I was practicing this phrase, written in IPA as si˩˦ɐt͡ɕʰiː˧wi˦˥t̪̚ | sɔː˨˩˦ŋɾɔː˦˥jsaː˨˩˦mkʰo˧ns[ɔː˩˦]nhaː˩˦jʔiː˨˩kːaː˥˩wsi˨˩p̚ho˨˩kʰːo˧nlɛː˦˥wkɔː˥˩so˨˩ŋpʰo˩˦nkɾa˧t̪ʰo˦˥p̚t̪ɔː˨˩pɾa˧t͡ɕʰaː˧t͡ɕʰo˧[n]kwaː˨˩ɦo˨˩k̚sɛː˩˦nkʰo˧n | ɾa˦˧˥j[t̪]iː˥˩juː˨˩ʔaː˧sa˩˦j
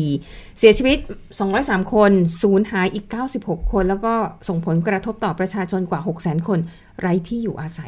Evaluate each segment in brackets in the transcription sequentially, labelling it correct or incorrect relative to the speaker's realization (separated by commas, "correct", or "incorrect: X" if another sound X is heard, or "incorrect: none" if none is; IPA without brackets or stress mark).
incorrect: uː˩˦, correct, incorrect: t̪ʰ